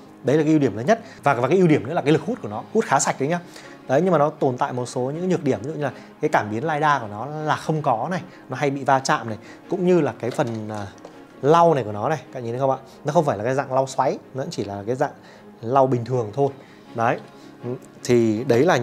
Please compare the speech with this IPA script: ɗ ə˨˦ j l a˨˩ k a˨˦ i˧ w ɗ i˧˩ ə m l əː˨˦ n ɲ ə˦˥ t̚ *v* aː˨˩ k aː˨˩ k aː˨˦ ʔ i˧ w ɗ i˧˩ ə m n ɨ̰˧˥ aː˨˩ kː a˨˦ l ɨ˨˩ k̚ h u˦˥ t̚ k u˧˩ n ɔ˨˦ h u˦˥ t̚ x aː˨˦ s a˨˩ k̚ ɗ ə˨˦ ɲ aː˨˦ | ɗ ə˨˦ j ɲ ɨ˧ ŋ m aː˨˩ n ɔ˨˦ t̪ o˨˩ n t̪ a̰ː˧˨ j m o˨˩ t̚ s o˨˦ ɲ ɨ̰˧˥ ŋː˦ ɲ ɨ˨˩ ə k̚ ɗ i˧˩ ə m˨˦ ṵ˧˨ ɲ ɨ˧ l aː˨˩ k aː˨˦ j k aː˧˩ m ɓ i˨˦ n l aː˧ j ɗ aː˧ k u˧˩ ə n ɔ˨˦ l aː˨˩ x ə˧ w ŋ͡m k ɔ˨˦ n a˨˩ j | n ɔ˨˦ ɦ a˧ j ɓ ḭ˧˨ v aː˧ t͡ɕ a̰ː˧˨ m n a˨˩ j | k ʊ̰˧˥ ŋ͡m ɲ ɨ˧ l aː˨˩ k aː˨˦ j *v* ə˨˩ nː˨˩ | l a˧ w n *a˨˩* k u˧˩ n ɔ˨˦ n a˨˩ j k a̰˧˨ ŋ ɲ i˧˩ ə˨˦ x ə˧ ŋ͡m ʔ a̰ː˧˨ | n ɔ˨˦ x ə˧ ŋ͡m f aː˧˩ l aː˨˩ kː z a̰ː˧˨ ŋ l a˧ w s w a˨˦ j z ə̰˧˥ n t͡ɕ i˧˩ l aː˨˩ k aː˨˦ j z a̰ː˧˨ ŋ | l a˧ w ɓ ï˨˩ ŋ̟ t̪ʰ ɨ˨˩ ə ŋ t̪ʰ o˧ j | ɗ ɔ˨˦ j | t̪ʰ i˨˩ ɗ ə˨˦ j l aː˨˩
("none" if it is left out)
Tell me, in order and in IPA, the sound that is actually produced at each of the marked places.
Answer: v, f, a˨˩

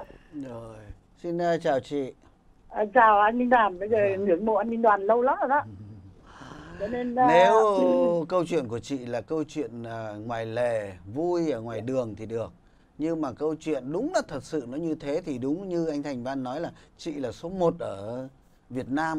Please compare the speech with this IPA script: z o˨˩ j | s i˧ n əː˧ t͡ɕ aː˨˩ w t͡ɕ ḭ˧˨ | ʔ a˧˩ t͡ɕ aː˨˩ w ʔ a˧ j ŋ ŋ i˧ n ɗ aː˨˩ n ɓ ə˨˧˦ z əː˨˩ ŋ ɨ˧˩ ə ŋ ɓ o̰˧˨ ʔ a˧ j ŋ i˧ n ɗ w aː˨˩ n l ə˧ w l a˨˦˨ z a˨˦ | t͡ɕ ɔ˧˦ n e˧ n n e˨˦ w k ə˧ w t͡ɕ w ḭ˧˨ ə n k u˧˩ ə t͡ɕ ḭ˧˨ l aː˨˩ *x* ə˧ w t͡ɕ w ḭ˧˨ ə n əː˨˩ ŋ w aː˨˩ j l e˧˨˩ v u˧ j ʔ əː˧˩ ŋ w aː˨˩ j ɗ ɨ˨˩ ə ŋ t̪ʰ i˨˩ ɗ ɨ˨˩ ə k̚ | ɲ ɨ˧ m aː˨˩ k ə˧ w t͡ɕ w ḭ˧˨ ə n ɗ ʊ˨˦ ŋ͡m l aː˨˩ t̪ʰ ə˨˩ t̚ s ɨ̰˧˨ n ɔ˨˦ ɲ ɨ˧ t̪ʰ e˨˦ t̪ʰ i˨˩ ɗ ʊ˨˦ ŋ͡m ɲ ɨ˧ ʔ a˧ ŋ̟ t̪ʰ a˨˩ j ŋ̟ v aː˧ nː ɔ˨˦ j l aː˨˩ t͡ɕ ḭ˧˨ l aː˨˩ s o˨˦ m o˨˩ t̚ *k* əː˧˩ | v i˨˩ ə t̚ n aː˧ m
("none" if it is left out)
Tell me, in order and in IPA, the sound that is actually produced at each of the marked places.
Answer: k, ʔ

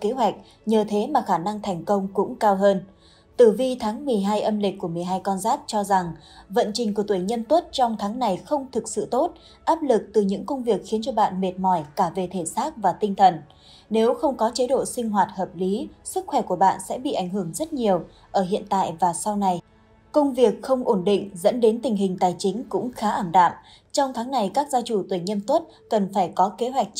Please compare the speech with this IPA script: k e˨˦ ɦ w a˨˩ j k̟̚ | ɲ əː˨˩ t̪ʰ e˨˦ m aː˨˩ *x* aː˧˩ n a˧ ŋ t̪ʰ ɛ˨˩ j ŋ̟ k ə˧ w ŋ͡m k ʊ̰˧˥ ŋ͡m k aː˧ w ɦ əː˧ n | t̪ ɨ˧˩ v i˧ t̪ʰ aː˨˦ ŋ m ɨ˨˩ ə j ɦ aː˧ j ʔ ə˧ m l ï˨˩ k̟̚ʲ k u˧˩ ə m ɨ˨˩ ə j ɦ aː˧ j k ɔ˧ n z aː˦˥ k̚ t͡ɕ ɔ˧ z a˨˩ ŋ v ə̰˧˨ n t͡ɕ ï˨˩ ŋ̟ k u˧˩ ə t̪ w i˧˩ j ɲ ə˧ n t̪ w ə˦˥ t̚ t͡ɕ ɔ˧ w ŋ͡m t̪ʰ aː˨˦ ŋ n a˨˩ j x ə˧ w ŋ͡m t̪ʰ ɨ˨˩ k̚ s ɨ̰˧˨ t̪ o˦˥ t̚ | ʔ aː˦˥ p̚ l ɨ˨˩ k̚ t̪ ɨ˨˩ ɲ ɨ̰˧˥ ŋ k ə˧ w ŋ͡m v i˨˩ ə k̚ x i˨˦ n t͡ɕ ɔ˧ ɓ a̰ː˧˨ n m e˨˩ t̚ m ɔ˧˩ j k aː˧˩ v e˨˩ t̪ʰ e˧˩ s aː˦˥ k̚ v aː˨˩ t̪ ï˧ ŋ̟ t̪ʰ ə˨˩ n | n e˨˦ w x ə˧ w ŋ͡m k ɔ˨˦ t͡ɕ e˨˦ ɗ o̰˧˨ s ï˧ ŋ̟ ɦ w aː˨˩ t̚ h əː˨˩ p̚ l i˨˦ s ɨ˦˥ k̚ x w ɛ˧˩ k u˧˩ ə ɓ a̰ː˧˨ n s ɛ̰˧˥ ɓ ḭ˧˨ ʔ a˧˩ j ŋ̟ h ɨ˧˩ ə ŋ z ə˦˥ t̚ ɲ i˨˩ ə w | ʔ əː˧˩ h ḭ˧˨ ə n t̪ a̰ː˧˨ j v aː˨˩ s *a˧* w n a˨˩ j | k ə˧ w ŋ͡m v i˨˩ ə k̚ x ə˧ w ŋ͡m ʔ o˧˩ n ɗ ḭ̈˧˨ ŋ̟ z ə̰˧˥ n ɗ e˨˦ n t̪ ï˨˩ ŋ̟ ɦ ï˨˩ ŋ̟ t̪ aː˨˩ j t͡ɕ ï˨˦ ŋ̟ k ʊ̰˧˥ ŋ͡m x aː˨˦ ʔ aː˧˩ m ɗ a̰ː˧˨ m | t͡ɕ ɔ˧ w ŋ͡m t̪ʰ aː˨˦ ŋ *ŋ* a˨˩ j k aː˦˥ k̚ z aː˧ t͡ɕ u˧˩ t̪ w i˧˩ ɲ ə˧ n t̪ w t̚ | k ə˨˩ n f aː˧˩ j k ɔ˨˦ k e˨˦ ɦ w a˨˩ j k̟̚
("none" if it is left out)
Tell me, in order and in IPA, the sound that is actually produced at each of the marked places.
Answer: x, a˧, n

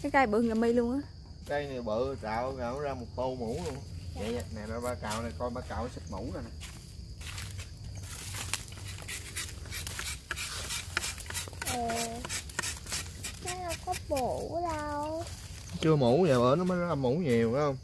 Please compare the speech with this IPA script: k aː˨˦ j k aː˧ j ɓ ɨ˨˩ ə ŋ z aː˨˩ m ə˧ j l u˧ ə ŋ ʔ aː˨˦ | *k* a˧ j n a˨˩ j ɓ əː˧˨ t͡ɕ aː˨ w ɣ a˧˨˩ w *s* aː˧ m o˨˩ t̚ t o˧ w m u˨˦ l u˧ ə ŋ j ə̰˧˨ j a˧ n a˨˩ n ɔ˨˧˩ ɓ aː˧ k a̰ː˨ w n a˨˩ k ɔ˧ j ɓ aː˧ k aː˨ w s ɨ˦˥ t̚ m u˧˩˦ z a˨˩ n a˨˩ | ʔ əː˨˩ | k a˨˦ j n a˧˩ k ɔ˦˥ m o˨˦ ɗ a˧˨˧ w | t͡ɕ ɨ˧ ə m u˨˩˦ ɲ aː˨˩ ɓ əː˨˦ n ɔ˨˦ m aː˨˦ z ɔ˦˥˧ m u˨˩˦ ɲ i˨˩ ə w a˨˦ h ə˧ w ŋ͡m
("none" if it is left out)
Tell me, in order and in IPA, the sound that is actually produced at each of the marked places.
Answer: k, z

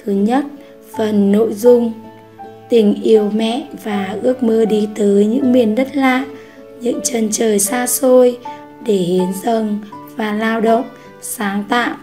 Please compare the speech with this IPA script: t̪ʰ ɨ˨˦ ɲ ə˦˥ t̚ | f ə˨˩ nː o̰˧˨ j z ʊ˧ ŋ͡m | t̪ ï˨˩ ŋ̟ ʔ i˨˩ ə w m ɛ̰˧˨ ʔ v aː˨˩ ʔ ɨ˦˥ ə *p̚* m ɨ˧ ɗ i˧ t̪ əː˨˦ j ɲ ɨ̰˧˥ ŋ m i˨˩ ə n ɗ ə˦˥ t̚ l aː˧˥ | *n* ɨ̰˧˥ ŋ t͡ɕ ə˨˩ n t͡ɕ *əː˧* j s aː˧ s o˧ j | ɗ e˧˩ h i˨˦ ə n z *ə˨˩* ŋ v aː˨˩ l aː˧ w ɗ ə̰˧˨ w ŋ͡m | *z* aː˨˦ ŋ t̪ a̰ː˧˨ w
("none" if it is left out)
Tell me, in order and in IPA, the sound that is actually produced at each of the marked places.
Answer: k̚, ɲ, əː˨˩, ə˨˩, s

